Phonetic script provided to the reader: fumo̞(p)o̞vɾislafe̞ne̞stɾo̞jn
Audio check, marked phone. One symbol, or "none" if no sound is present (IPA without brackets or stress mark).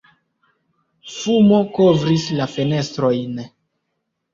k